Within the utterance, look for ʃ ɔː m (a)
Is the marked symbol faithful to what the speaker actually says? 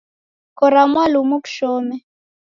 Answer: no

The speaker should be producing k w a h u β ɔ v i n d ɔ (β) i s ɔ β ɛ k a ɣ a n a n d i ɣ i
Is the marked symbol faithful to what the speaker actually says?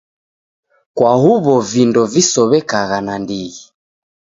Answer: no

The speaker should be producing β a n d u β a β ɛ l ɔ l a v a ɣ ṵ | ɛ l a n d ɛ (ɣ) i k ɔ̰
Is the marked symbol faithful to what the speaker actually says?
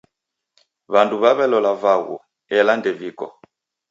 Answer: no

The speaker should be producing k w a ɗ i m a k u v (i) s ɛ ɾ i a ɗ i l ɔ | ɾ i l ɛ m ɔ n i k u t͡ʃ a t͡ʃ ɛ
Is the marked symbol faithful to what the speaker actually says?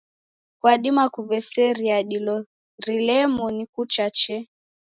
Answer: no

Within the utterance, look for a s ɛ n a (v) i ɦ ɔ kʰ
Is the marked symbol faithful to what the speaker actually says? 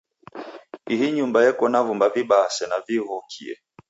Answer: yes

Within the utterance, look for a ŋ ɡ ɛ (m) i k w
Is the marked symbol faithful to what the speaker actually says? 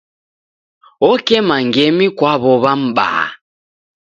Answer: yes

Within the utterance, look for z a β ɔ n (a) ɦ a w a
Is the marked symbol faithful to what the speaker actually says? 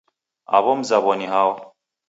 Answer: no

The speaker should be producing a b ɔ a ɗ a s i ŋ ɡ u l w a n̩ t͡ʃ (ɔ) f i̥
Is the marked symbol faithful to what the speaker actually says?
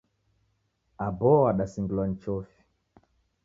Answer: yes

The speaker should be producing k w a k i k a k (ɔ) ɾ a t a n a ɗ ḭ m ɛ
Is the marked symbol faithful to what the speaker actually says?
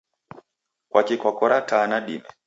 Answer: yes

